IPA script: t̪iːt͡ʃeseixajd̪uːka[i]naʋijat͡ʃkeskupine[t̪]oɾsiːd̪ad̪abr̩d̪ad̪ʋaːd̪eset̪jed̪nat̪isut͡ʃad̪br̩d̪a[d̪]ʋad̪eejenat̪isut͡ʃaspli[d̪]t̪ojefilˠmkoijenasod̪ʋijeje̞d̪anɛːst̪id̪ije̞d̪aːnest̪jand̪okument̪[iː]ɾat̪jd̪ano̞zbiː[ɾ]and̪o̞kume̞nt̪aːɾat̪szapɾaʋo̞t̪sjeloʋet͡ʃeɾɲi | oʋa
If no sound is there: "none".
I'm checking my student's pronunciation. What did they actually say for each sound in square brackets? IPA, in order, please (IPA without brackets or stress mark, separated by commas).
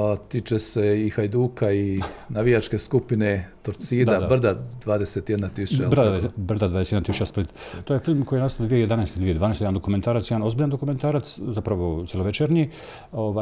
i, t̪, d̪, t̪, aː, ʎ